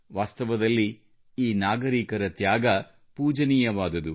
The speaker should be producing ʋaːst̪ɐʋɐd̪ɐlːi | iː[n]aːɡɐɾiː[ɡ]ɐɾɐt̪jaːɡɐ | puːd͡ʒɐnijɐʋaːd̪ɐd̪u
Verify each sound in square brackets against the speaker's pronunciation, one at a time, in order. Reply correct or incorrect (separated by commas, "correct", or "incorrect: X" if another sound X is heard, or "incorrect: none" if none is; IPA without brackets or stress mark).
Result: correct, incorrect: k